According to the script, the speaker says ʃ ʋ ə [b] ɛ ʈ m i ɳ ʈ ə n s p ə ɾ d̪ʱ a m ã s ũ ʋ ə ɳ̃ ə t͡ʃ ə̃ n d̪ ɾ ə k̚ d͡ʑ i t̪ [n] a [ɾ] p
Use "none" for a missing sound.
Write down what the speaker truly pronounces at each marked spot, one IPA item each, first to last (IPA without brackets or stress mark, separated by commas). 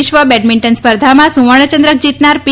b, n, ɾ